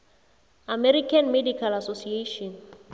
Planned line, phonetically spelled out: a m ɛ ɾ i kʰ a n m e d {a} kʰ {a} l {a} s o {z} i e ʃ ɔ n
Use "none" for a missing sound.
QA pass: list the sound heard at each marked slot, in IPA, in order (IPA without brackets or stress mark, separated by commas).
i, a, a, s